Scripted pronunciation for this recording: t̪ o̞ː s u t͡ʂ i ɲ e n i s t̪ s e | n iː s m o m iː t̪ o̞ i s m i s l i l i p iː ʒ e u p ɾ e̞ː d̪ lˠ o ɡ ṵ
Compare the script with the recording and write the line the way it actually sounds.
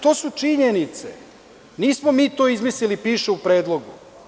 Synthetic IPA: t̪ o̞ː s u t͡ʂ i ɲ e n i t̪ s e | n iː s m o m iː t̪ o̞ i z m i s l i l i p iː ʃ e u p ɾ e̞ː d̪ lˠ o ɡ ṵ

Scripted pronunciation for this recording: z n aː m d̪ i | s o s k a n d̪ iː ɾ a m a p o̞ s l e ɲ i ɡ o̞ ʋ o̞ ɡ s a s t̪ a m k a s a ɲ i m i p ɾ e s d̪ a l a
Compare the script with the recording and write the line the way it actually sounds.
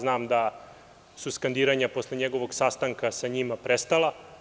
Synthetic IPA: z n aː m d̪ a | s u s k a n d̪ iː ɾ a ɲ a p o̞ s l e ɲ e ɡ o̞ ʋ o̞ ɡ s a s t̪ a ŋ k a s a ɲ i m a p ɾ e s t̪ a l a

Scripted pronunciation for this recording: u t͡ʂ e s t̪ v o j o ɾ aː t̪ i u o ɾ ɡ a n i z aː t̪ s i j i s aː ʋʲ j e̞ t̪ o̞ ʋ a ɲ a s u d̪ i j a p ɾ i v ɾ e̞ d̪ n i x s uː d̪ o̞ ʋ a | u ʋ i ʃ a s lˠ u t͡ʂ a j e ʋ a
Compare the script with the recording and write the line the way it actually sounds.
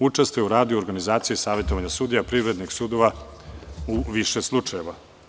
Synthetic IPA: u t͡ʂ e s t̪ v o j u ɾ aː d̪ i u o ɾ ɡ a n i z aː t̪ s i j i s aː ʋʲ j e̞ t̪ o̞ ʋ a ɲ a s u d̪ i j a p ɾ i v ɾ e̞ d̪ n i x s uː d̪ o̞ ʋ a | u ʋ i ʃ e s lˠ u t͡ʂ a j e ʋ a

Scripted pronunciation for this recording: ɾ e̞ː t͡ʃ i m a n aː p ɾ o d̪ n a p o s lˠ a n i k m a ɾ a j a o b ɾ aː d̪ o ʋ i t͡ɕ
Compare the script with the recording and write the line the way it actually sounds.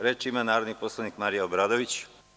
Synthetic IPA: ɾ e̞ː t͡ʃ i m a n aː ɾ o d̪ n i p o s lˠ a n i k m a ɾ i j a o b ɾ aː d̪ o ʋ i t͡ɕ

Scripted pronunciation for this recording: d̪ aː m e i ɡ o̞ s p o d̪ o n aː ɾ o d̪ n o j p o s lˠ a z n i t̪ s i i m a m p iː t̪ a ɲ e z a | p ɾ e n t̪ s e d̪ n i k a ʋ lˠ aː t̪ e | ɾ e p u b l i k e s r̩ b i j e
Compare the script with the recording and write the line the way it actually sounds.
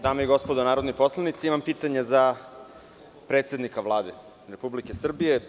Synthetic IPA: d̪ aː m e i ɡ o̞ s p o d̪ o n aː ɾ o d̪ n o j p o s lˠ a n i t̪ s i i m a m p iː t̪ a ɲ e z a | p ɾ e t̪ s e d̪ n i k a ʋ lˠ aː d̪ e | ɾ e p u b l i k e s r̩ b i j e

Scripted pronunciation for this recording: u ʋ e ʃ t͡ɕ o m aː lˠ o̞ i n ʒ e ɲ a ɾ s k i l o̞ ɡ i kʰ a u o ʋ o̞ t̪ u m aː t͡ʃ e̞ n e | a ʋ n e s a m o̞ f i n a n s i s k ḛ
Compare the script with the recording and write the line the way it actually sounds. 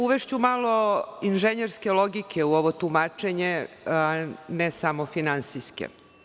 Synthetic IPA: u ʋ e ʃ t͡ɕ u m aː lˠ o̞ i n ʒ e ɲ e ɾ s k e l o̞ ɡ i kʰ e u o ʋ o̞ t̪ u m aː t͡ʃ e̞ ɲ e | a n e s a m o̞ f i n a n s i s k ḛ

